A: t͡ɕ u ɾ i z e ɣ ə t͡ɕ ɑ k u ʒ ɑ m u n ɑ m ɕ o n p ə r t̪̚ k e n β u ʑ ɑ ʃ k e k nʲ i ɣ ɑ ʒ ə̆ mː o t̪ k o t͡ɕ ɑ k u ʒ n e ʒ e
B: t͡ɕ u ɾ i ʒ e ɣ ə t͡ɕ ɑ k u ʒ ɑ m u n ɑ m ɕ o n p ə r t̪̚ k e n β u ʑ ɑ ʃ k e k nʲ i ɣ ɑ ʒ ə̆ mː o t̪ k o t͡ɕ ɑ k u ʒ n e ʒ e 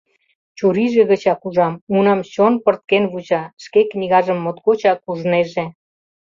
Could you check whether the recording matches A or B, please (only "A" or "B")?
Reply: B